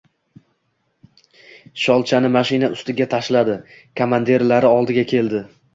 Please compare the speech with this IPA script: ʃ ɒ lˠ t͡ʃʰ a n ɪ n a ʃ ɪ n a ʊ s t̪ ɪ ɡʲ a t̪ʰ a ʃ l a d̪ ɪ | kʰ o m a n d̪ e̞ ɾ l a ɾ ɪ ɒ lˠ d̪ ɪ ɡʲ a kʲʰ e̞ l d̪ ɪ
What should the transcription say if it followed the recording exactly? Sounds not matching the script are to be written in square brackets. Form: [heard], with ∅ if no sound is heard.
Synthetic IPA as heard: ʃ ɒ lˠ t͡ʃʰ a n ɪ [m] a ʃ ɪ n a ʊ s t̪ ɪ ɡʲ a t̪ʰ a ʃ l a d̪ ɪ | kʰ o m a n d̪ e̞ ɾ l a ɾ ɪ ɒ lˠ d̪ ɪ ɡʲ a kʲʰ e̞ l d̪ ɪ